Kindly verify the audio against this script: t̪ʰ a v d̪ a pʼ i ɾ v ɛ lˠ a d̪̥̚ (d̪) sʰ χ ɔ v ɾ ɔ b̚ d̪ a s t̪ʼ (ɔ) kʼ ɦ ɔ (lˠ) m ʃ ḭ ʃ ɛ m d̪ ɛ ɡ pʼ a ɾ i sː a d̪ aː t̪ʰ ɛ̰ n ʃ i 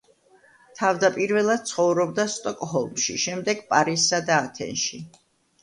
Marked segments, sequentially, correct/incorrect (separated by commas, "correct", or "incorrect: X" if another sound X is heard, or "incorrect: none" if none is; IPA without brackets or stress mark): incorrect: t̪, correct, correct